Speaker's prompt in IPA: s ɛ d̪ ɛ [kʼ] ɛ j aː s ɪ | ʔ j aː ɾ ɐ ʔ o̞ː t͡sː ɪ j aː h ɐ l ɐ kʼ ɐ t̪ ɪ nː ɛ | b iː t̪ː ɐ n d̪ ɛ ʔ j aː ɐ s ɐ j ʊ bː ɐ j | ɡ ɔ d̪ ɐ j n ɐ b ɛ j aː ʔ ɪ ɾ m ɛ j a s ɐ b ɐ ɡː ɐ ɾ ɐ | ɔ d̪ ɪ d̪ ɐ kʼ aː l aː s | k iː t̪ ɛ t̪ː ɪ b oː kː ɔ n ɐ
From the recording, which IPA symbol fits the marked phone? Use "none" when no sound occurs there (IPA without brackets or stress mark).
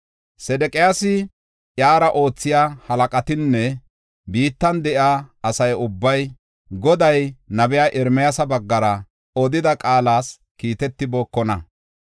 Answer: kʼ